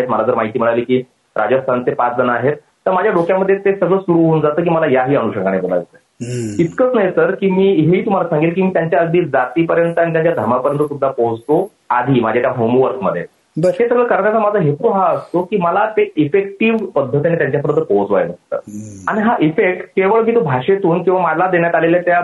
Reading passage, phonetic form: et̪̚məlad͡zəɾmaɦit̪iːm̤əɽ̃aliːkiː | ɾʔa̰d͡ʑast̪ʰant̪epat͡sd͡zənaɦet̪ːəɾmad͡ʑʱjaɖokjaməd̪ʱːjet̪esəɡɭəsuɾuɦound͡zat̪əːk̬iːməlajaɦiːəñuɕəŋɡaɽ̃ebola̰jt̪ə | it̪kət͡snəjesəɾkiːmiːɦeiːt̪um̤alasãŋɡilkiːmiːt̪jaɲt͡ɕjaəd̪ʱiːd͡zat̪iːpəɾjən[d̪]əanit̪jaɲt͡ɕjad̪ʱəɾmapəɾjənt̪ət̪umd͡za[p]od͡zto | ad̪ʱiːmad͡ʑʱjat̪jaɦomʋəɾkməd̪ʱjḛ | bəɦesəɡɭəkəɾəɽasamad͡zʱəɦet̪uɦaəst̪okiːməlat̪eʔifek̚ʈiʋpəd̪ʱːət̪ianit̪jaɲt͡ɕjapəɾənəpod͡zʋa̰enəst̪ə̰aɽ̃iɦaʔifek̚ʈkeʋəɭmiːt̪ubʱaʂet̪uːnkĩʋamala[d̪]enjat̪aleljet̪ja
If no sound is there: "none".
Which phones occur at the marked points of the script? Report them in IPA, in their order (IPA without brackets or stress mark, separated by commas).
t̪, p, d̪